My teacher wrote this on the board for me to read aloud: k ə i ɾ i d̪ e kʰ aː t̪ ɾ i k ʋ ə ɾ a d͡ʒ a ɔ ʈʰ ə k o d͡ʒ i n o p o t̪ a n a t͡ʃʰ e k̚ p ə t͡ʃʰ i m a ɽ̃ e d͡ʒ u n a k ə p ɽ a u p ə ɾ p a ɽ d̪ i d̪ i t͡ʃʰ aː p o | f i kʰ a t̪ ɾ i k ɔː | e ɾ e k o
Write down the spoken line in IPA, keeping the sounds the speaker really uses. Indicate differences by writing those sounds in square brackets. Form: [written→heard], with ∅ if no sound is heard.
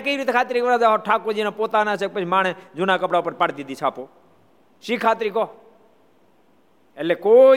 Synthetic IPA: k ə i ɾ i [d̪→t̪] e kʰ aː t̪ ɾ i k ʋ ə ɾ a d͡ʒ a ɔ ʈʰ [ə→a] k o d͡ʒ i n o p o t̪ a n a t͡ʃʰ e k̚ p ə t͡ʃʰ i m a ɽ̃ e d͡ʒ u n a k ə p ɽ a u p ə ɾ p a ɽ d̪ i d̪ i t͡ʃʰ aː p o | [f→ʃ] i kʰ a t̪ ɾ i k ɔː | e [ɾ→l] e k o